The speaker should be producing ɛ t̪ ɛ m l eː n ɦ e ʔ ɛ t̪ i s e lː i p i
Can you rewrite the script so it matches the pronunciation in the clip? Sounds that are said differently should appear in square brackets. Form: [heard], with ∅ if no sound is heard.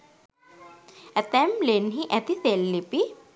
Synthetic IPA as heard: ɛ t̪ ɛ m l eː n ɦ [i] ʔ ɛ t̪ i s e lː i p i